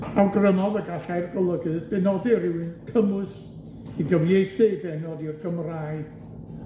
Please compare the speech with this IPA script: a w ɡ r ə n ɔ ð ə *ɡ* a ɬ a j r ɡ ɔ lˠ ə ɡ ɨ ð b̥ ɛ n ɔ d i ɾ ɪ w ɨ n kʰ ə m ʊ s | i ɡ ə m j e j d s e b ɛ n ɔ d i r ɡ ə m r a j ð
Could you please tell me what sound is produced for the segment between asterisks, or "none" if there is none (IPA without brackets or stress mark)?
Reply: ɡ